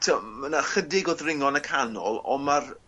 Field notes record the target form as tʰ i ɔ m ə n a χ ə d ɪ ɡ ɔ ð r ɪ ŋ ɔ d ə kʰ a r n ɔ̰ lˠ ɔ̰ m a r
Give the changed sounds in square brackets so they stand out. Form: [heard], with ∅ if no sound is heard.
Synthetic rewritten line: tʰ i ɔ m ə n a χ ə d ɪ ɡ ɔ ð r ɪ ŋ ɔ [n] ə kʰ a [∅] n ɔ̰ lˠ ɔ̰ m a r